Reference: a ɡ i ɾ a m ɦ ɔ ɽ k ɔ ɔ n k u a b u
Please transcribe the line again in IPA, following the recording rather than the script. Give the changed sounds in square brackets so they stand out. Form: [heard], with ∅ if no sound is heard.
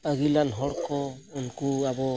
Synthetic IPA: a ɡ i [l] a [n] ɦ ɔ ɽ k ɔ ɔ n k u a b [ɔ]